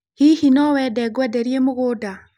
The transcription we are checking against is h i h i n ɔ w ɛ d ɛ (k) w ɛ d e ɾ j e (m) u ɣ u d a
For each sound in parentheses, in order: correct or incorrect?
incorrect, correct

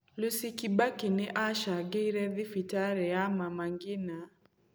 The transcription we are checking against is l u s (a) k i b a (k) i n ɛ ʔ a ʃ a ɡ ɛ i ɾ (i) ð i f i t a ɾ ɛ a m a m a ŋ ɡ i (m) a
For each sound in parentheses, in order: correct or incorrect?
incorrect, correct, incorrect, incorrect

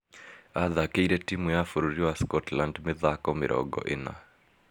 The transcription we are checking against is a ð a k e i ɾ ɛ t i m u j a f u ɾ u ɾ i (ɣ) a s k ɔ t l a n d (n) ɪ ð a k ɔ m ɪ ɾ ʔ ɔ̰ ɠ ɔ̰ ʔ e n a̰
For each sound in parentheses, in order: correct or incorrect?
incorrect, incorrect

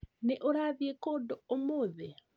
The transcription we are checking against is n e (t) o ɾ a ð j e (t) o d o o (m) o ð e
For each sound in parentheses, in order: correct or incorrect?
incorrect, incorrect, correct

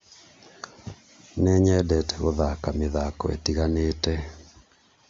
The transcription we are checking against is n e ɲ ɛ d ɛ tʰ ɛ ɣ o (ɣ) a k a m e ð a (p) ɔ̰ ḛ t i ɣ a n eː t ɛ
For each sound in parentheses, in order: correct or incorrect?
incorrect, incorrect

